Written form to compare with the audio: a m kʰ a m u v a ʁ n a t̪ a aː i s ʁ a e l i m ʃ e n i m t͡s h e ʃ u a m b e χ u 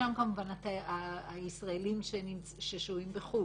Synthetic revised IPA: a m k a m u v a n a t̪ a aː i s ʁ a e l i m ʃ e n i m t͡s ʃ e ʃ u i m b e χ u